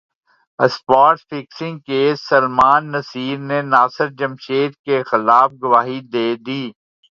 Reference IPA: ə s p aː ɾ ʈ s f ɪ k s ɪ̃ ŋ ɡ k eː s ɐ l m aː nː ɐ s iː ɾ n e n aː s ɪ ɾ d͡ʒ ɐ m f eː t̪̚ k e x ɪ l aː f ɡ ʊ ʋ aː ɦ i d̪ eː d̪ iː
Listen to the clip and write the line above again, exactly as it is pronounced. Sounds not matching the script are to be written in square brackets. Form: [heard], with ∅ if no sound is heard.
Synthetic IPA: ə s p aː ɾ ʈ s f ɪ k s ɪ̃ ŋ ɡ k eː s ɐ l m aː nː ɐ s iː ɾ n e n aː s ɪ ɾ d͡ʒ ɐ m [ʃ] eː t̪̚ k e x ɪ l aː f ɡ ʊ ʋ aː ɦ i d̪ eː d̪ iː

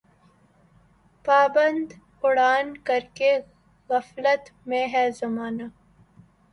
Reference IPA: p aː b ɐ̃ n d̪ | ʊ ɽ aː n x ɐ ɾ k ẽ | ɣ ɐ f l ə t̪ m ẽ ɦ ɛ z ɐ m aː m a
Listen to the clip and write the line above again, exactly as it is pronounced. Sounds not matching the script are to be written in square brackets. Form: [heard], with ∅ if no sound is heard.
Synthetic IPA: p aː b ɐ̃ n d̪ | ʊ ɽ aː n [k] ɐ ɾ k [e] | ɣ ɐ f l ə t̪ m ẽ ɦ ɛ z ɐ m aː [n] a

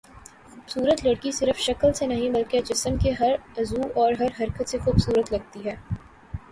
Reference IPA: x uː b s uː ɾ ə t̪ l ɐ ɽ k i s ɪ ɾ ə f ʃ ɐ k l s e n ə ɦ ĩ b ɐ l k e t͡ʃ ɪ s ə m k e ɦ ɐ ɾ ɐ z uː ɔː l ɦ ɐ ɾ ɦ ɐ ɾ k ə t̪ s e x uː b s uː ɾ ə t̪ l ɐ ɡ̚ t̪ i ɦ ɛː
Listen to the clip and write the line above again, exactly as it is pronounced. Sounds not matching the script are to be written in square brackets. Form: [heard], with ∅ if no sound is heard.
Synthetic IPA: x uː b s uː ɾ ə t̪ l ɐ ɽ k i s ɪ ɾ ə f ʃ ɐ k l s e n [ɐ] ɦ ĩ b ɐ l k e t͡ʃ ɪ s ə m k e ɦ ɐ ɾ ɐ z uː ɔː [ɾ] ɦ ɐ ɾ ɦ ɐ ɾ k ə t̪ s e x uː b s uː ɾ ə t̪ l ɐ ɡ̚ t̪ i ɦ ɛː

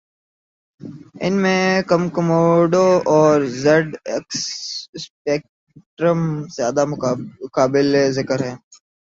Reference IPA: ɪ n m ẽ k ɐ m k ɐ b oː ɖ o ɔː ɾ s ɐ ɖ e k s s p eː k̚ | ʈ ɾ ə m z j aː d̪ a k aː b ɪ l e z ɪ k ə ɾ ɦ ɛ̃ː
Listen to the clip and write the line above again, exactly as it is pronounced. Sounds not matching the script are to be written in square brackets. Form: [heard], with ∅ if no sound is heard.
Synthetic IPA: ɪ n m ẽ k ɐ m k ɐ [m] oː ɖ o ɔː ɾ [z] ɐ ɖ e k s s p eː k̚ | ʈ ɾ ə m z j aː d̪ a k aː b ɪ l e z ɪ k ə ɾ ɦ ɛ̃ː

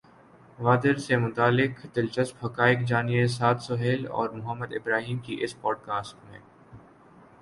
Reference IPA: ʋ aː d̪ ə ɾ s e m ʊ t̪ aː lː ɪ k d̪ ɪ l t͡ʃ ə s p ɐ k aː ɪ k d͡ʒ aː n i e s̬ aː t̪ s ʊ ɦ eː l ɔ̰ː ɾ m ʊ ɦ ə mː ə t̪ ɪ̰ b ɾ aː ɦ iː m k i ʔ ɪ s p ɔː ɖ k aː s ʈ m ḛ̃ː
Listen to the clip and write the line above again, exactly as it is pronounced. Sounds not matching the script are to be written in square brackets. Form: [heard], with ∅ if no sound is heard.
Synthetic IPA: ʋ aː d̪ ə ɾ s e m ʊ t̪ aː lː ɪ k d̪ ɪ l t͡ʃ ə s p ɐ k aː ɪ k d͡ʒ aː n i e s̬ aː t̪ s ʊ ɦ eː l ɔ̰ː ɾ m ʊ ɦ ə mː ə [d̪] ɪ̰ b ɾ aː ɦ iː m k i ʔ ɪ s p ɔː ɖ k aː s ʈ m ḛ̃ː

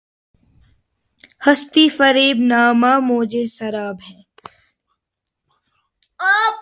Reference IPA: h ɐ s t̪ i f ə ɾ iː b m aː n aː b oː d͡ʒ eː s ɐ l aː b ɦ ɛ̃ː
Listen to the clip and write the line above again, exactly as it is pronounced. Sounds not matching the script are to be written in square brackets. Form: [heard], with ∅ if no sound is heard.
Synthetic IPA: h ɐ s t̪ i f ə ɾ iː b [n] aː [m] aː [m] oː d͡ʒ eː s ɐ [ɾ] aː b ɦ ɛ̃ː

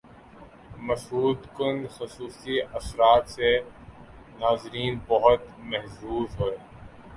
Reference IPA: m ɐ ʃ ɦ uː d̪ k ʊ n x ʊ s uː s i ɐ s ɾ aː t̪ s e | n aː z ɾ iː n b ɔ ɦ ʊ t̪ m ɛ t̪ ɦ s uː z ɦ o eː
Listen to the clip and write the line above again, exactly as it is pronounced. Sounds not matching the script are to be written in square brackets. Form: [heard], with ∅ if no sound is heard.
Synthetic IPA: m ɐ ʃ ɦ uː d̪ k ʊ n x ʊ s uː s i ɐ s ɾ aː t̪ s e | n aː z ɾ iː n b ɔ ɦ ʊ t̪ m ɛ [∅] ɦ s uː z ɦ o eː

